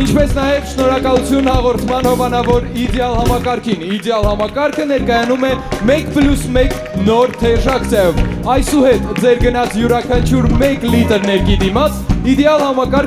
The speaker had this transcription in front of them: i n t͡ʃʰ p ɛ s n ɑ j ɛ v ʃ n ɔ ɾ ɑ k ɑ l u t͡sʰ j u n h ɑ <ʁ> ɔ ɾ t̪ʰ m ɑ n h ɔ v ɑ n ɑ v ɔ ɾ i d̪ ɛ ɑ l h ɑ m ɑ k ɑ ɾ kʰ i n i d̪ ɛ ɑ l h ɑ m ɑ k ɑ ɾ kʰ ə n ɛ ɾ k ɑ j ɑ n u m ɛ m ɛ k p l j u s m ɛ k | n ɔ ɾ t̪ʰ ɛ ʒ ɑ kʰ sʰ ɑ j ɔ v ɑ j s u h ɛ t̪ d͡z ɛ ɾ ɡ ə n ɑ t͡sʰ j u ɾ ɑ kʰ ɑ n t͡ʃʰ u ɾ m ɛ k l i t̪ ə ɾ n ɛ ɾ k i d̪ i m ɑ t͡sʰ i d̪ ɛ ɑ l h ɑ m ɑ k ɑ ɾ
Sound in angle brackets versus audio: correct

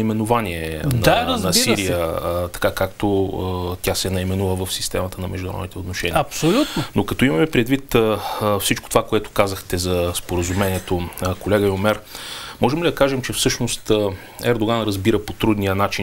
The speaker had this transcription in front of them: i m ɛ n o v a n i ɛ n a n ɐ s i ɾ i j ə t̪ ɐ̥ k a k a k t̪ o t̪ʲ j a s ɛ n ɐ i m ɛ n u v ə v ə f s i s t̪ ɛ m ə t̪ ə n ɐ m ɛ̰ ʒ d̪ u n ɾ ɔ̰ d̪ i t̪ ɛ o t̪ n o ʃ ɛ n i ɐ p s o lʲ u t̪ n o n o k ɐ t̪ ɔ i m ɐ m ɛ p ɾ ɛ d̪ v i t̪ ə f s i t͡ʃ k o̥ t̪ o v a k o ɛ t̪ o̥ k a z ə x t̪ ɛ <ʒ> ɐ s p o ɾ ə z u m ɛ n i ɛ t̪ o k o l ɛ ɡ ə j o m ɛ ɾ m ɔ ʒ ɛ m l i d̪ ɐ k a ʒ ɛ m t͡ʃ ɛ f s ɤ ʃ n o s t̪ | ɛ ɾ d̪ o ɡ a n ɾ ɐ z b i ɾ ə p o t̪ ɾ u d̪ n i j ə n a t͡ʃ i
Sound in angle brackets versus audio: incorrect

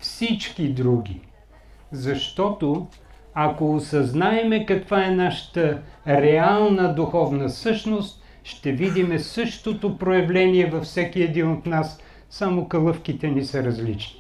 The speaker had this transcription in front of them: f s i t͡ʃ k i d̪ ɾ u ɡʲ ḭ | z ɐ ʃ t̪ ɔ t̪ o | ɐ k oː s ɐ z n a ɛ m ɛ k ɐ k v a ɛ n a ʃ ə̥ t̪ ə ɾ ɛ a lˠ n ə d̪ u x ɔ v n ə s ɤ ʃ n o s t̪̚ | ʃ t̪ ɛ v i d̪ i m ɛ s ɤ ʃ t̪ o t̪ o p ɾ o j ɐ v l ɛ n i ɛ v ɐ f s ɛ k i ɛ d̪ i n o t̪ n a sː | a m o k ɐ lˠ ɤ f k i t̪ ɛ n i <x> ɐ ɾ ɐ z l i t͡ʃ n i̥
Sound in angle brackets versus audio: incorrect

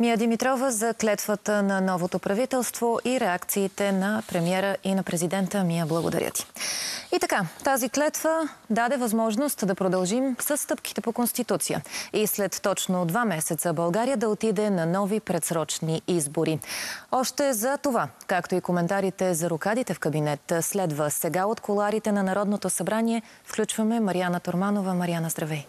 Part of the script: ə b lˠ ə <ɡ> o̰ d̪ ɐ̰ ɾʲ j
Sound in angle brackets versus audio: correct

